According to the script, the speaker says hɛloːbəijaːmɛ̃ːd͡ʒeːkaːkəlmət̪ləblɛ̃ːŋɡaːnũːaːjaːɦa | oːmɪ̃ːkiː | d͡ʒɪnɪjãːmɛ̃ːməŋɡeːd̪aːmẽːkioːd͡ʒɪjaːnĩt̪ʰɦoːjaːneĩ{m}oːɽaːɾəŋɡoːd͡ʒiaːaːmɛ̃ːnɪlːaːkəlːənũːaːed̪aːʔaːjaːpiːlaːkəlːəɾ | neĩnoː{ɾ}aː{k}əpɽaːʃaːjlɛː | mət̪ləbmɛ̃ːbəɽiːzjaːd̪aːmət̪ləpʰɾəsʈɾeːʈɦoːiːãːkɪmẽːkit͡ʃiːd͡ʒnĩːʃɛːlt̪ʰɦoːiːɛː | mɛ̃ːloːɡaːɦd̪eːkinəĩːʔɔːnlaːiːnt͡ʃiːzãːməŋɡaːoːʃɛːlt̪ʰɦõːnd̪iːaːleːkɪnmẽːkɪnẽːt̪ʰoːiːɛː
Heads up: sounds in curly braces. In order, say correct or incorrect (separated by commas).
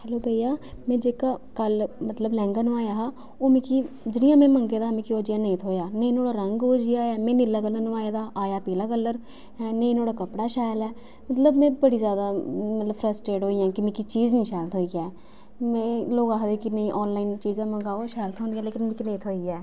incorrect, incorrect, correct